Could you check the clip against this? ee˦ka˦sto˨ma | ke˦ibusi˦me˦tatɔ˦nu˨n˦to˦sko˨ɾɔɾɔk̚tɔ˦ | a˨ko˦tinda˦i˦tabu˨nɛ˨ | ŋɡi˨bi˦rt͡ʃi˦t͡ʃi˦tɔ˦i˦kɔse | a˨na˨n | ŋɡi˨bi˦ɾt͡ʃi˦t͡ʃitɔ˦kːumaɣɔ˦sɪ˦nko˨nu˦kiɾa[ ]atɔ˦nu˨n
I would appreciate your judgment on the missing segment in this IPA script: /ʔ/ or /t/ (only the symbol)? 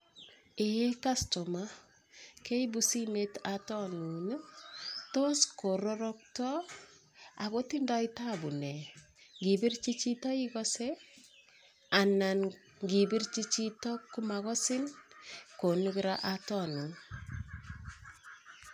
ʔ